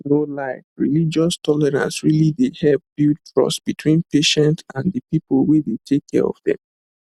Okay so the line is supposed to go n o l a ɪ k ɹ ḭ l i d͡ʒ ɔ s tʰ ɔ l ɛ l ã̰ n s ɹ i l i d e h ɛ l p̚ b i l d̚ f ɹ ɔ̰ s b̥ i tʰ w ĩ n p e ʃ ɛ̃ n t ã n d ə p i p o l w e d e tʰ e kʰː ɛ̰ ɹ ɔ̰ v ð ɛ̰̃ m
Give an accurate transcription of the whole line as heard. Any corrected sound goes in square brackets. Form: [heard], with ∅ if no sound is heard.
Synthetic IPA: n o l a ɪ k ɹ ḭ l i d͡ʒ ɔ s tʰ ɔ l ɛ [ɹ] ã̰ n s ɹ i l i d e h ɛ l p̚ b i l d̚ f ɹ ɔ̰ s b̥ i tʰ w ĩ n p e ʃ ɛ̃ n t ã n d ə p i p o l w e d e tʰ e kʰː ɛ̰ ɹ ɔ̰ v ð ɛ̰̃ m